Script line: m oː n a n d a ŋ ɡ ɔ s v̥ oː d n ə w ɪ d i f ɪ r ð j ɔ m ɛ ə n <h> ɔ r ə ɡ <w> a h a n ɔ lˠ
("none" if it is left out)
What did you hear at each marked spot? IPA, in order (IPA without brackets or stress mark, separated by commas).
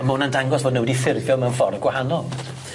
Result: f, w